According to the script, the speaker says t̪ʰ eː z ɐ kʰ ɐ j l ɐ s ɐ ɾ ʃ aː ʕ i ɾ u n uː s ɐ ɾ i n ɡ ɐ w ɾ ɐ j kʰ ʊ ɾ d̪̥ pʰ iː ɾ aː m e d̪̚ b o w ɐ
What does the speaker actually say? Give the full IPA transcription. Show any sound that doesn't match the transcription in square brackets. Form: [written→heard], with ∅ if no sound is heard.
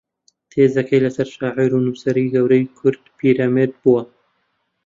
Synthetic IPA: t̪ʰ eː z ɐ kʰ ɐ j l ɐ s ɐ ɾ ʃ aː ʕ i ɾ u n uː s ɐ ɾ i [n→∅] ɡ ɐ w ɾ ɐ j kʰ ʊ ɾ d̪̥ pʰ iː ɾ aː m e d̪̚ b [o→u] w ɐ

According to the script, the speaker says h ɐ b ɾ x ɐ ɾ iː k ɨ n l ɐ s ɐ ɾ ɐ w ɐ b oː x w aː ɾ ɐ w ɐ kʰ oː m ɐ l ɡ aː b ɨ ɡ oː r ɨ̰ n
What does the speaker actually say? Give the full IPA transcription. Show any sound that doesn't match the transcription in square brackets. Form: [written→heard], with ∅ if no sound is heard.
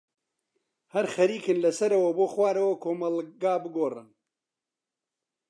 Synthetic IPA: h ɐ [b→∅] ɾ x ɐ ɾ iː k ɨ n l ɐ s ɐ ɾ ɐ w ɐ b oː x w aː ɾ ɐ w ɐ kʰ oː m ɐ l ɡ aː b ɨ ɡ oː r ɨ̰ n

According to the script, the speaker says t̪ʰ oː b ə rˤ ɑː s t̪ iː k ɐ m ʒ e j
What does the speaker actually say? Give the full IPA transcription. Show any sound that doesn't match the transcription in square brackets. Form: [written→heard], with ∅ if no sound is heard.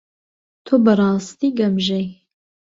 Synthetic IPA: t̪ʰ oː b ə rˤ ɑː s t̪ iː [k→ɡ] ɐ m ʒ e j

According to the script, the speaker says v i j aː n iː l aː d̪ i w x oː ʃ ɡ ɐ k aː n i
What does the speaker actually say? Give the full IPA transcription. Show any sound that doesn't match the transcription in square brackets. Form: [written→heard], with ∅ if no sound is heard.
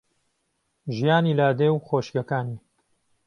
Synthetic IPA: [v→ʒ] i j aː n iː l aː d̪ [i→e] w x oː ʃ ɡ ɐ k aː n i

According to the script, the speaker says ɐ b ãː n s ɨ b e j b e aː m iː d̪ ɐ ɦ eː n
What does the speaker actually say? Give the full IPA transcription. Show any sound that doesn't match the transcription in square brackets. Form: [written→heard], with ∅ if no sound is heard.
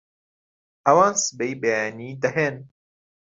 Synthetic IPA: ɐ [b→w] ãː n s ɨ b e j b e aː [m→n] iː d̪ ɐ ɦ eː n

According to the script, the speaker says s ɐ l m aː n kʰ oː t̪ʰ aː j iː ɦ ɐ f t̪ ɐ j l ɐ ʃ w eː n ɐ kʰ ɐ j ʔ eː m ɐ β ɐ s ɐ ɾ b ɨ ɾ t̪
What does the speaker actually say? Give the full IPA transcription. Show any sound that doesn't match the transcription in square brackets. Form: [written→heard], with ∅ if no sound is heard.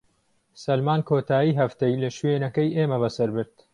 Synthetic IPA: s ɐ l m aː n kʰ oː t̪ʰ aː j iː ɦ ɐ f t̪ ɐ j l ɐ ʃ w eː n ɐ [kʰ→k] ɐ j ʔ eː m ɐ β ɐ s ɐ ɾ b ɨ ɾ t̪

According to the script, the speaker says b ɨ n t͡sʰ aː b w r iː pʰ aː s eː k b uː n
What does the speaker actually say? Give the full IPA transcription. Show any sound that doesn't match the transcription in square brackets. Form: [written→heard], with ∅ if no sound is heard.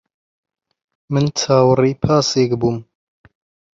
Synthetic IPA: [b→m] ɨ n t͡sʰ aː [b→∅] w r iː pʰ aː s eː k b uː [n→m]

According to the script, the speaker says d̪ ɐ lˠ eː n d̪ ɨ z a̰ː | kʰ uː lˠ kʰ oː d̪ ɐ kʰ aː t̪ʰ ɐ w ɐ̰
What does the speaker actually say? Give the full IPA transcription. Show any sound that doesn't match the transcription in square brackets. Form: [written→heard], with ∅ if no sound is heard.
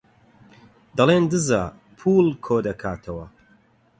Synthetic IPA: d̪ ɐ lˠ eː n d̪ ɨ z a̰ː | [kʰ→pʰ] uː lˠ kʰ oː d̪ ɐ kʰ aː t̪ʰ ɐ w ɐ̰

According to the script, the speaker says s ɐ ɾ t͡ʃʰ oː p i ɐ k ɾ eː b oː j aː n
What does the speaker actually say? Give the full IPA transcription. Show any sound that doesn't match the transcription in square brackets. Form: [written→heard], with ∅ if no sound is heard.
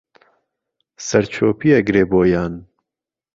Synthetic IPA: s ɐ ɾ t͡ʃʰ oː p i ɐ [k→ɡ] ɾ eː b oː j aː n

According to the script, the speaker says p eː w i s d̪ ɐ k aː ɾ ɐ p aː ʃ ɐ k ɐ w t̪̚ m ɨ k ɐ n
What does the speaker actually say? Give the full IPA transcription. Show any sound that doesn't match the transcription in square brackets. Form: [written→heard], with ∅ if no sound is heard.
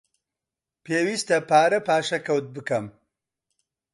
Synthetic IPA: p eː w i s [d̪→t̪] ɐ [k→p] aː ɾ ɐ p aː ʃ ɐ k ɐ w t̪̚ [m→b] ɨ k ɐ [n→m]

